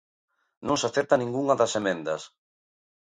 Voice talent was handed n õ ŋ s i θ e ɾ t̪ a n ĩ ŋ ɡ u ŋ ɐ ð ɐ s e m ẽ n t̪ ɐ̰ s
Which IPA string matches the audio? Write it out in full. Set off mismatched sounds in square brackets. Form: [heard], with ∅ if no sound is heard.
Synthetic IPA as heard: n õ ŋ s [a] θ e ɾ t̪ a n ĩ ŋ ɡ u ŋ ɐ ð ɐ s e m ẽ n [d̪] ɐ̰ s